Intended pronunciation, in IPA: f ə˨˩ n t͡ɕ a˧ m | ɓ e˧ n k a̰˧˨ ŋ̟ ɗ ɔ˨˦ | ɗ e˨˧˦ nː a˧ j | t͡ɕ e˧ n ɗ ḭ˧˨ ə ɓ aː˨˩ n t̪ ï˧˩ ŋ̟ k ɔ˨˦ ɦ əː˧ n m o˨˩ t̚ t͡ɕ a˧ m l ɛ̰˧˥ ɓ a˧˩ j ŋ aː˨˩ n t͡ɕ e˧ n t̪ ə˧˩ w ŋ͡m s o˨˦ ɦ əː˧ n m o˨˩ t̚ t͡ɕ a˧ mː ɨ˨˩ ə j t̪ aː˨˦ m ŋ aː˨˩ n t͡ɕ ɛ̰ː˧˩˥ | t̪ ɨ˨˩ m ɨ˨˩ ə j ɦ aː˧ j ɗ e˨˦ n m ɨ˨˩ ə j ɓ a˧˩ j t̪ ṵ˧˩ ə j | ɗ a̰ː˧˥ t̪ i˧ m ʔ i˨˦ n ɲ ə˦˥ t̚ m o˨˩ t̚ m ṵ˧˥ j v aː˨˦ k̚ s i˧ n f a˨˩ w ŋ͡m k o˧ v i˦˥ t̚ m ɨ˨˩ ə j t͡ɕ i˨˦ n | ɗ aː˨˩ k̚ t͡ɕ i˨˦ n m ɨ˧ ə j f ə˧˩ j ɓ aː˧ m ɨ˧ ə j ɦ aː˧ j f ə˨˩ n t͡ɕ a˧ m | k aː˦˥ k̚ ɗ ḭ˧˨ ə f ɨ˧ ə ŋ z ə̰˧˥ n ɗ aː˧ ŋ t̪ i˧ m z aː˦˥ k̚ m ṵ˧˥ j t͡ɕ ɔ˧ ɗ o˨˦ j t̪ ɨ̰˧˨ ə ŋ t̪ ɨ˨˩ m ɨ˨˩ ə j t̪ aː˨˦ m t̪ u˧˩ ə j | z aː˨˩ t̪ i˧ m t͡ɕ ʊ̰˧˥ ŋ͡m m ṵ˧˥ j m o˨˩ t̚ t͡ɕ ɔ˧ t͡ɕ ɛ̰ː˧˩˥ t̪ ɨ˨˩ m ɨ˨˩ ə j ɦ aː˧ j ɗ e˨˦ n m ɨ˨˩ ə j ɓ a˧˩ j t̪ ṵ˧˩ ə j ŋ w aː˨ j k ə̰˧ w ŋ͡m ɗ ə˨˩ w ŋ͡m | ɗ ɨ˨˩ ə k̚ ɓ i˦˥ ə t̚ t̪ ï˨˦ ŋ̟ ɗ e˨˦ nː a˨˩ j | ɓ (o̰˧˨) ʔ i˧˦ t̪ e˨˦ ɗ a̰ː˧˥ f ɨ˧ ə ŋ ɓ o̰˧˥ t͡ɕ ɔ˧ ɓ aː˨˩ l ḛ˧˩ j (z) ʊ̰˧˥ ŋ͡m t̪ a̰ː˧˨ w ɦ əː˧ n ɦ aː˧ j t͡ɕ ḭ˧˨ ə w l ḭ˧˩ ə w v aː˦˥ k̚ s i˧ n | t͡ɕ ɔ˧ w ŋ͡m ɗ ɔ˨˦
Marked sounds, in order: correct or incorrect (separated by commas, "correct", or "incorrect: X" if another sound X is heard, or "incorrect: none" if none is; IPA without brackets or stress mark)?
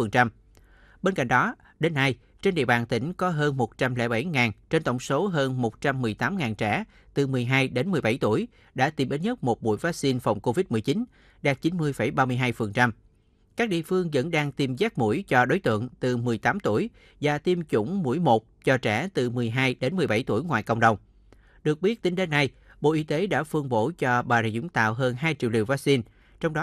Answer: correct, correct